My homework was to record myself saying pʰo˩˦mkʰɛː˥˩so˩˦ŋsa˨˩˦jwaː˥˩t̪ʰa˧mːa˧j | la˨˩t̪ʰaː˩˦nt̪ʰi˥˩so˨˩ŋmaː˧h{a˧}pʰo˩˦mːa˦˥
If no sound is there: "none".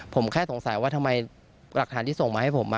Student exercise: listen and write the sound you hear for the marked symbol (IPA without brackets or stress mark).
a˥˩